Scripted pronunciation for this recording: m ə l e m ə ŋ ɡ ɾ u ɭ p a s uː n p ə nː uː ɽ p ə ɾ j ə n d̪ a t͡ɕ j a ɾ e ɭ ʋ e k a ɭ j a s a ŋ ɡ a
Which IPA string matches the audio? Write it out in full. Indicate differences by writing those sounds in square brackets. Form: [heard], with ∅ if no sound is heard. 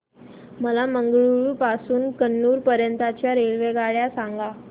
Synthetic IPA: m ə l [a] m ə ŋ ɡ [ɭ] u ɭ p a s uː n [k] ə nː uː [ɾ] p ə ɾ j ə n [t̪] a t͡ɕ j a ɾ e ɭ ʋ e [ɡ] a ɭ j a s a ŋ ɡ a